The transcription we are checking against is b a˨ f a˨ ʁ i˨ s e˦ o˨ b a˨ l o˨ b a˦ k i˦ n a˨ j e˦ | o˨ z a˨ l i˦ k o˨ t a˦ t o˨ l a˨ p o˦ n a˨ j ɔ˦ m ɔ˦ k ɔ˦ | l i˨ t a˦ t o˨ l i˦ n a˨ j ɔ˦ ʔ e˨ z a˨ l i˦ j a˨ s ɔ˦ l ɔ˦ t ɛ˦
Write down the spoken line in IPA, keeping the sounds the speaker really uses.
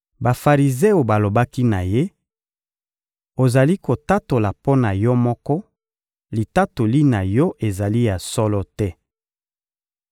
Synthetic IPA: b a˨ f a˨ ʁ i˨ z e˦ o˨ b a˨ l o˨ b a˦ k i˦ n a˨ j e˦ | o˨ z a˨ l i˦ k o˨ t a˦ t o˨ l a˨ p o˦ n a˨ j ɔ˦ m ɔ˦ k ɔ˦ | l i˨ t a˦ t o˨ l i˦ n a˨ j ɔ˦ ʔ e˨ z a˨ l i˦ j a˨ s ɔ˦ l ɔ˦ t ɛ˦

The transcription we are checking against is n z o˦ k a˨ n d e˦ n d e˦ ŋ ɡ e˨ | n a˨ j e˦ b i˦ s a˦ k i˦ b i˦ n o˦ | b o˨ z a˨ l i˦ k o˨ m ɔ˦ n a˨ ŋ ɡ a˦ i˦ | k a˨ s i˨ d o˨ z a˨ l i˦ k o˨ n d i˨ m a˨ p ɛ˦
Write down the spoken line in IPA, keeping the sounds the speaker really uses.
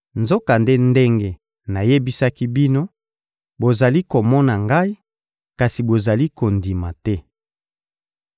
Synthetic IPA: n z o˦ k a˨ n d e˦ n d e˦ ŋ ɡ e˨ | n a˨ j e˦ b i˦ s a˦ k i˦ b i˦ n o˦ | b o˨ z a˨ l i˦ k o˨ m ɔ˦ n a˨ ŋ ɡ a˦ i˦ | k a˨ s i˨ b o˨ z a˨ l i˦ k o˨ n d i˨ m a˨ t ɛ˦

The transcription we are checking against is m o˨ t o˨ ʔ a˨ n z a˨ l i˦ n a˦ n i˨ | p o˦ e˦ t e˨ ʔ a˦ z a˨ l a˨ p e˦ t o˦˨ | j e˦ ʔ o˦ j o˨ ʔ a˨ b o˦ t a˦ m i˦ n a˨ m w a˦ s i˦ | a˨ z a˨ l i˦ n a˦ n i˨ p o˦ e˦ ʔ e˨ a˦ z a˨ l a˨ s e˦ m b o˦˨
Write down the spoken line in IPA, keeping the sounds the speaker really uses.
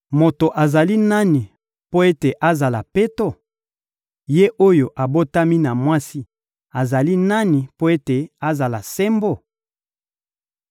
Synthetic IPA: m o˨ t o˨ ʔ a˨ z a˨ l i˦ n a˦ n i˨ | p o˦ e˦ t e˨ ʔ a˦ z a˨ l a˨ p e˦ t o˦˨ | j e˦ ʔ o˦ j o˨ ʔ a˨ b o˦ t a˦ m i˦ n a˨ m w a˦ s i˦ | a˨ z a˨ l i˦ n a˦ n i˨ p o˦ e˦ t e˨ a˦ z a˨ l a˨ s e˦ m b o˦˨

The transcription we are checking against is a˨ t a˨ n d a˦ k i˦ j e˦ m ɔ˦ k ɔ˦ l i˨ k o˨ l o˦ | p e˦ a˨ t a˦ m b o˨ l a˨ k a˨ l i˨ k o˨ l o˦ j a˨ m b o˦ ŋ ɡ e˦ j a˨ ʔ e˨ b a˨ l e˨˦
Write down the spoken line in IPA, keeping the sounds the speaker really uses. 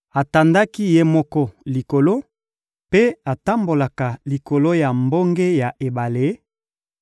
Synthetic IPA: a˨ t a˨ n d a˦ k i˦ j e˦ m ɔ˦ k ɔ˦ l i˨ k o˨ l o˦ | p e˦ a˨ t a˦ m b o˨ l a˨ k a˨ l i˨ k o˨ l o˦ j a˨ m b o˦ ŋ ɡ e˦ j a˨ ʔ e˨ b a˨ l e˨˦

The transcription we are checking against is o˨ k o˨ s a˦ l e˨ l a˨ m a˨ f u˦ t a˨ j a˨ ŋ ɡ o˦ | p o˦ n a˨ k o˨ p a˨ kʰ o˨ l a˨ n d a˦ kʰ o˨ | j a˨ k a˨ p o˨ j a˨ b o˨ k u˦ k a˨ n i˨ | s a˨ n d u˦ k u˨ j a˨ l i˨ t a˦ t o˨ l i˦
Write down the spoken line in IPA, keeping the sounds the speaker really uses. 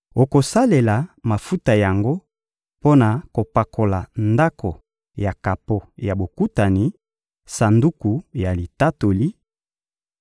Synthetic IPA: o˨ k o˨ s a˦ l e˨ l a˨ m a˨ f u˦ t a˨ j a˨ ŋ ɡ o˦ | p o˦ n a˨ k o˨ p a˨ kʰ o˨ l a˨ n d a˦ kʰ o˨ | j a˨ k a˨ p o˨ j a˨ b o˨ k u˦ t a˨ n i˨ | s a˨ n d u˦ k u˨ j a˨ l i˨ t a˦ t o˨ l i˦

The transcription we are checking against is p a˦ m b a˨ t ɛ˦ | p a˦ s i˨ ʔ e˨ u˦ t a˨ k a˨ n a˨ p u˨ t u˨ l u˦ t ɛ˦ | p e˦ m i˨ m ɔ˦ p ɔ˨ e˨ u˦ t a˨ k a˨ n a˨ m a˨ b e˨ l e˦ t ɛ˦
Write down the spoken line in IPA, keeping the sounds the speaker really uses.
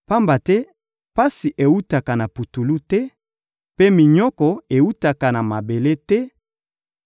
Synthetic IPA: p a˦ m b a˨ t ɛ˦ | p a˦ s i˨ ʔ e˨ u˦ t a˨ k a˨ n a˨ p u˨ t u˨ l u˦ t ɛ˦ | p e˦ m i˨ ɲ ɔ˦ k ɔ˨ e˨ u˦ t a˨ k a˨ n a˨ m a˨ b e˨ l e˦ t ɛ˦

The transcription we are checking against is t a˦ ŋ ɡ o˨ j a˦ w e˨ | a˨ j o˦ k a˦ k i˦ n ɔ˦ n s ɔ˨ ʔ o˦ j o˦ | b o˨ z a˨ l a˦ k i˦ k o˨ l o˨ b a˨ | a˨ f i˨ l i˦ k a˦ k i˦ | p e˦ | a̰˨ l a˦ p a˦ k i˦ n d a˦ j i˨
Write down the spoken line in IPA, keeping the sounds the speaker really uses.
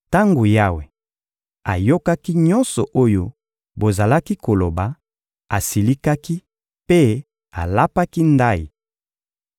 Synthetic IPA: t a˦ ŋ ɡ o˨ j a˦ w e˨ | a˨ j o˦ k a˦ k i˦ ɲ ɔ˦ n s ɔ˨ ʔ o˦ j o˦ | b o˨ z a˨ l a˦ k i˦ k o˨ l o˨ b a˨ | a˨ s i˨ l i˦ k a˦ k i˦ | p e˦ | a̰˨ l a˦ p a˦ k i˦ n d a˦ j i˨

